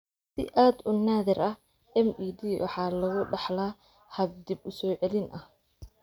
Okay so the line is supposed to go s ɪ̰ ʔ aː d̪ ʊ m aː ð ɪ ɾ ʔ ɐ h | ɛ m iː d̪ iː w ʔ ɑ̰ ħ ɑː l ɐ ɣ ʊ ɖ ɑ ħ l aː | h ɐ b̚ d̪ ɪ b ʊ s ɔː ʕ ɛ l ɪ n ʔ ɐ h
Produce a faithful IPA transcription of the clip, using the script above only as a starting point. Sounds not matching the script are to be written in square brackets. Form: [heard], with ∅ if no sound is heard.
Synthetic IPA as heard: s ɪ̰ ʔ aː d̪ ʊ [n] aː ð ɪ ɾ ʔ ɐ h | ɛ m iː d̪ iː w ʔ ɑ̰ ħ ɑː l ɐ ɣ ʊ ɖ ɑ ħ l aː | h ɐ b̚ d̪ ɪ b ʊ s ɔː ʕ ɛ l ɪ n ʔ ɐ h

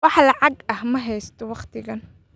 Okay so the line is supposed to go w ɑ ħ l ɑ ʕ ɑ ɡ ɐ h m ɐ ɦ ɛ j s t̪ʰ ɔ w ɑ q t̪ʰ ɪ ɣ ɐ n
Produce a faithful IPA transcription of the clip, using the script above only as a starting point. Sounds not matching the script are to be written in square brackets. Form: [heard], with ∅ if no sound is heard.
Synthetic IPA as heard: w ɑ ħ l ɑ ʕ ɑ ɡ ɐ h m ɐ ɦ ɛ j s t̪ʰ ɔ w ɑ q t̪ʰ ɪ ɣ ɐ n

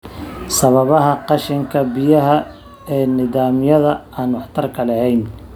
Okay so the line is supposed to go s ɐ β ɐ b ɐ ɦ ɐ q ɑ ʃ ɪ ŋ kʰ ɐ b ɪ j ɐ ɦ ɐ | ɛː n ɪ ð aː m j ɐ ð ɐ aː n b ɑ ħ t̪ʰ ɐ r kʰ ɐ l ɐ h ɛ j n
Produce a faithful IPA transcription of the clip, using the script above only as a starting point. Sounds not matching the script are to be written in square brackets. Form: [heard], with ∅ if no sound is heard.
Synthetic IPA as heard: s ɐ β ɐ [β] ɐ ɦ ɐ q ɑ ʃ ɪ ŋ kʰ ɐ b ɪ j ɐ ɦ ɐ | ɛː n ɪ ð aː m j ɐ ð ɐ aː n [w] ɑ ħ t̪ʰ ɐ r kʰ ɐ l ɐ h ɛ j n

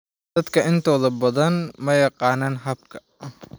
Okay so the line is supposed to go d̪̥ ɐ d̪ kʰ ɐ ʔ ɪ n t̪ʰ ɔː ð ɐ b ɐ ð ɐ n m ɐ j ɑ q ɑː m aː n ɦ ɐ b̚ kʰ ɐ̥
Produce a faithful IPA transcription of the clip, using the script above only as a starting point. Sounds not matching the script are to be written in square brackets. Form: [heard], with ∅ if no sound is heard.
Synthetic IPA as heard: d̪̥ ɐ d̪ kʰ ɐ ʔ ɪ n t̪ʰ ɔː ð ɐ b ɐ ð ɐ n m ɐ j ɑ q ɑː [n] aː n ɦ ɐ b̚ kʰ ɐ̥

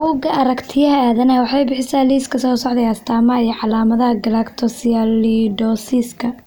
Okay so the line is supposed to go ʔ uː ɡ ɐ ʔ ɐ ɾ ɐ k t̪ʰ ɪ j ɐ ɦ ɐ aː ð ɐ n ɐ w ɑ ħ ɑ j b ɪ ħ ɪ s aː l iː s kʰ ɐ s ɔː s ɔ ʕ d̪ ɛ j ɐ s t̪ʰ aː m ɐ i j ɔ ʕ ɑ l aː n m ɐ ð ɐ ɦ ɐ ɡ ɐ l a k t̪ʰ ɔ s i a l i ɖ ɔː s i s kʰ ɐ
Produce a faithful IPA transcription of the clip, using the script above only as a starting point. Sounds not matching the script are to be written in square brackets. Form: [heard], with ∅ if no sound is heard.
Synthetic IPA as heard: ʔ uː ɡ ɐ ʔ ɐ ɾ ɐ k t̪ʰ ɪ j ɐ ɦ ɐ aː ð ɐ n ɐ w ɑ ħ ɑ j b ɪ ħ ɪ s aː l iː s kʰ ɐ s ɔː s ɔ ʕ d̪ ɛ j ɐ s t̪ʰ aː m ɐ i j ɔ ʕ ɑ l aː [∅] m ɐ ð ɐ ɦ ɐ ɡ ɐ l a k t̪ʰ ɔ s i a l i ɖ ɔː s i s kʰ ɐ

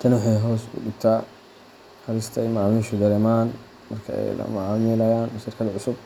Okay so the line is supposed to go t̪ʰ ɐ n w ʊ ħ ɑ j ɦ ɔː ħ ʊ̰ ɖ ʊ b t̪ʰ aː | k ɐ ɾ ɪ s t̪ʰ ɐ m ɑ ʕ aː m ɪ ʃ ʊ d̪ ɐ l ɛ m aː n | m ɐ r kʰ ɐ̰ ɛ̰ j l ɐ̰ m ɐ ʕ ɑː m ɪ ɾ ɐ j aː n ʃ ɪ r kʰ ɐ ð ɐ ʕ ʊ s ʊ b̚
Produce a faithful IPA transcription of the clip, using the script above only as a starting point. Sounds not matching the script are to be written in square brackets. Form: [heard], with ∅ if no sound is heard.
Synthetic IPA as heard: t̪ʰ ɐ n w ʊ ħ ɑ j ɦ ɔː [s] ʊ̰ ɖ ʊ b t̪ʰ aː | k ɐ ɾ ɪ s t̪ʰ ɐ m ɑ ʕ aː m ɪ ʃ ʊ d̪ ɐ l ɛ m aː n | m ɐ r kʰ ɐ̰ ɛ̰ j l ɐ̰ m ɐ ʕ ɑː m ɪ [l] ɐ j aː n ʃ ɪ r kʰ ɐ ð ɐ ʕ ʊ s ʊ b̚

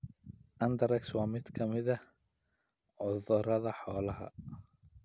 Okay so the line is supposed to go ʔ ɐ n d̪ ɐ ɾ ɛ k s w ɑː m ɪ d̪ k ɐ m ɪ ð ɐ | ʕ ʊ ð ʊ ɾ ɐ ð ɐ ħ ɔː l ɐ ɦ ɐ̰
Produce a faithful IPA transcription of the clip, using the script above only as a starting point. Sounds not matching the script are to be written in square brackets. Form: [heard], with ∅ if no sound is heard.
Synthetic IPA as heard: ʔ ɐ n d̪ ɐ ɾ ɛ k s w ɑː m ɪ d̪ [kʰ] ɐ m ɪ ð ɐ | ʕ ʊ ð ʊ ɾ ɐ ð ɐ ħ ɔː l ɐ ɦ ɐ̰

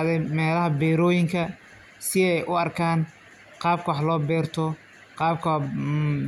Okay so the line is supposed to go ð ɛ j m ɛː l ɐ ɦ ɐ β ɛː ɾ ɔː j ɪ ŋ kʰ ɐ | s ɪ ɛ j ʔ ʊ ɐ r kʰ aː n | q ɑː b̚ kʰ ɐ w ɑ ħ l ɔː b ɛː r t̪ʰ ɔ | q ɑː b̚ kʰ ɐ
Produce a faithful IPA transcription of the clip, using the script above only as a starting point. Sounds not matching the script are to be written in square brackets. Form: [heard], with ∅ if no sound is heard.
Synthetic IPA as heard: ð ɛ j m ɛː l ɐ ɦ ɐ [b] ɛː ɾ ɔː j ɪ ŋ kʰ ɐ | s ɪ ɛ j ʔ ʊ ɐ r kʰ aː n | q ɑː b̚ kʰ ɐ w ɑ ħ l ɔː b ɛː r t̪ʰ ɔ | q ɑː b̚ kʰ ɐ

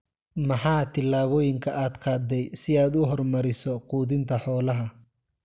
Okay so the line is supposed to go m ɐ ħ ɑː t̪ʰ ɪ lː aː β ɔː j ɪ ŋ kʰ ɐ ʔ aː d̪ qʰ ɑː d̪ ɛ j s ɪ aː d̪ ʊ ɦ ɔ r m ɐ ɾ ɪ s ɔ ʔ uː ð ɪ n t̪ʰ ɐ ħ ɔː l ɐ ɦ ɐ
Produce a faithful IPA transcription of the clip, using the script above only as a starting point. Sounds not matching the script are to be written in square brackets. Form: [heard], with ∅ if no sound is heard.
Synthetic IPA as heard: m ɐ ħ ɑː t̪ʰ ɪ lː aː β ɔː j ɪ ŋ kʰ ɐ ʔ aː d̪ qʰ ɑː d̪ ɛ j s ɪ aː d̪ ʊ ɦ ɔ r m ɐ ɾ ɪ s ɔ [q] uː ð ɪ n t̪ʰ ɐ ħ ɔː l ɐ ɦ ɐ

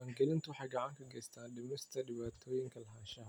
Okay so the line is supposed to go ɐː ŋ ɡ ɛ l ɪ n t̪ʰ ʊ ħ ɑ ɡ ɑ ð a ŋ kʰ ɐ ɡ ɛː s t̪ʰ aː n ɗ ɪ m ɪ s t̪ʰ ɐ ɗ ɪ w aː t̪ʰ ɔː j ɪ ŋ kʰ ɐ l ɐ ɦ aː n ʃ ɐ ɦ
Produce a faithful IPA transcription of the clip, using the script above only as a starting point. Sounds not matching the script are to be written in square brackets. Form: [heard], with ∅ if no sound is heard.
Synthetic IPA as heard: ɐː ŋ ɡ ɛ l ɪ n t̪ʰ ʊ ħ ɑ ɡ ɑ [ʕ] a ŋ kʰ ɐ ɡ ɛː s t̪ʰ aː n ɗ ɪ m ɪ s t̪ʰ ɐ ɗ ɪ [β] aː t̪ʰ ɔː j ɪ ŋ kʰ ɐ l ɐ ɦ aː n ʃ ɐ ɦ

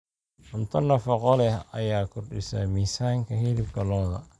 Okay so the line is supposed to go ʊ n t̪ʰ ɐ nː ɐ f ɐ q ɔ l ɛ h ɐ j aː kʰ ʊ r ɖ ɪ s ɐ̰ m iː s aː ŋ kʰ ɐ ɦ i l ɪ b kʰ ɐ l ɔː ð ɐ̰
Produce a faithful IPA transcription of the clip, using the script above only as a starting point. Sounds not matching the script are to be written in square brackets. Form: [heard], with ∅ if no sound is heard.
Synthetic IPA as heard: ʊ n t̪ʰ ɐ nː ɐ f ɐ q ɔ l ɛ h ɐ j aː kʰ ʊ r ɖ ɪ s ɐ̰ m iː s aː ŋ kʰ ɐ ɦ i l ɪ b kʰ ɐ l ɔː ð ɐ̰

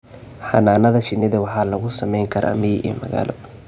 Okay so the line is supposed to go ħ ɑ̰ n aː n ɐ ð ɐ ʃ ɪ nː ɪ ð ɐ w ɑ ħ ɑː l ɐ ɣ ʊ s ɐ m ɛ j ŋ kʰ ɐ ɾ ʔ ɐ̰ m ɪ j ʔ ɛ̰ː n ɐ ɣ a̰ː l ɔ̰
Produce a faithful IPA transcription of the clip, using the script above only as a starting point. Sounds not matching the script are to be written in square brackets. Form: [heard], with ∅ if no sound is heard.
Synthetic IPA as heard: ħ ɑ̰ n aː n ɐ ð ɐ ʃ ɪ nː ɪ ð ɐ w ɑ ħ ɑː l ɐ ɣ ʊ s ɐ m ɛ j ŋ kʰ ɐ ɾ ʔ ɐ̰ m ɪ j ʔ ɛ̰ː [m] ɐ ɣ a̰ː l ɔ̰

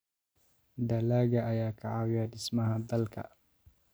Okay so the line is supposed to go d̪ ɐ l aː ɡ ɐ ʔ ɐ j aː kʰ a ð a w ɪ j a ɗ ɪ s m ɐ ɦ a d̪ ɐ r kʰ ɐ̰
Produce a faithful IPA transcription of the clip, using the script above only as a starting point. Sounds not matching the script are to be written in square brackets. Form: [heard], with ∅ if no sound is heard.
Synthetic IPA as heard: d̪ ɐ l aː ɡ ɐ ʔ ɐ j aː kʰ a [ʕ] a w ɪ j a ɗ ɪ s m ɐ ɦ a d̪ ɐ [l] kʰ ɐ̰

